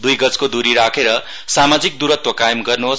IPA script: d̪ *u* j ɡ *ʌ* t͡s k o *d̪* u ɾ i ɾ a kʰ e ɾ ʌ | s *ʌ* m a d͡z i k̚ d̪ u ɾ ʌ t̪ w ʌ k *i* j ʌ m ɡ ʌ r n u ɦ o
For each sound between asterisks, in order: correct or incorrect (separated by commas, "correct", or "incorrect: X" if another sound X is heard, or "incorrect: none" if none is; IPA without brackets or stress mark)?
correct, correct, correct, incorrect: a, incorrect: a